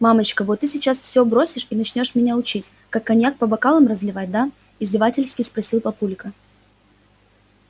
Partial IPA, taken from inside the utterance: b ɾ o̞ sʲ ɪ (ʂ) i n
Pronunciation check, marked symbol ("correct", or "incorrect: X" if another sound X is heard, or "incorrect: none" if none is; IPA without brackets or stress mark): correct